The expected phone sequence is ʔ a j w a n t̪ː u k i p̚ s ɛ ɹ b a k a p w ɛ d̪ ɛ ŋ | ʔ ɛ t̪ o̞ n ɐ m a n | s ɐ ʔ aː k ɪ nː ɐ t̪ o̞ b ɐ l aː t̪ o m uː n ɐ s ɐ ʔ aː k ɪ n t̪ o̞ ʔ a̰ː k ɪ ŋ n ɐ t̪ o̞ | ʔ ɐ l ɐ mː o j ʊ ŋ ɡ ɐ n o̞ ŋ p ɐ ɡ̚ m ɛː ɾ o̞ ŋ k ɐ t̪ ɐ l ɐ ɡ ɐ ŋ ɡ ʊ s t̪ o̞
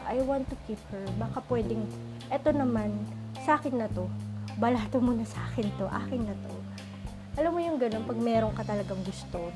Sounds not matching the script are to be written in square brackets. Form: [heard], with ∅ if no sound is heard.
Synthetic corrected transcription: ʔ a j w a n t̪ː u k i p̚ [h] ɛ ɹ b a k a p w ɛ d̪ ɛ ŋ | ʔ ɛ t̪ o̞ n ɐ m a n | s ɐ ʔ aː k ɪ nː ɐ t̪ o̞ b ɐ l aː t̪ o m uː n ɐ s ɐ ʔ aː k ɪ n t̪ o̞ ʔ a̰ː k ɪ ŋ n ɐ t̪ o̞ | ʔ ɐ l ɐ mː o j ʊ ŋ ɡ ɐ n o̞ [n] p ɐ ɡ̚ m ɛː ɾ o̞ ŋ k ɐ t̪ ɐ l ɐ ɡ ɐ ŋ ɡ ʊ s t̪ o̞